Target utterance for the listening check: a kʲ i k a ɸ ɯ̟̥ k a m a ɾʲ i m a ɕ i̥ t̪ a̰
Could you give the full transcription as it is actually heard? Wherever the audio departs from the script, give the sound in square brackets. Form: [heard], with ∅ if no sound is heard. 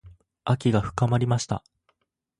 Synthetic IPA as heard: a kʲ i [ɡ] a ɸ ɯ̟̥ k a m a ɾʲ i m a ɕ i̥ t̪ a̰